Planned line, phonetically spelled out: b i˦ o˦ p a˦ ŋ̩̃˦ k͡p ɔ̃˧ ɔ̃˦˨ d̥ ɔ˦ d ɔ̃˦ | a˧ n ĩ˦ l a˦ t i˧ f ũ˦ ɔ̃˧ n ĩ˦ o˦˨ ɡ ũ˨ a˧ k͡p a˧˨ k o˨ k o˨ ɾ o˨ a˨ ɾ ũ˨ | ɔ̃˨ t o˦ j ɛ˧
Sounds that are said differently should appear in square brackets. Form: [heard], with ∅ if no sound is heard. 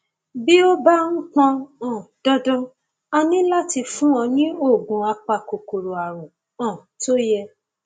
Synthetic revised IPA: b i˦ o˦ [b] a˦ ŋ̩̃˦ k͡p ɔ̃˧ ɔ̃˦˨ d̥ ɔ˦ d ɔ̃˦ | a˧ n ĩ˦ l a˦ t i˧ f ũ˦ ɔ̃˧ n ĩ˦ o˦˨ ɡ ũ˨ a˧ k͡p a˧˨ k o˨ k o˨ ɾ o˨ a˨ ɾ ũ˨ | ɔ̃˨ t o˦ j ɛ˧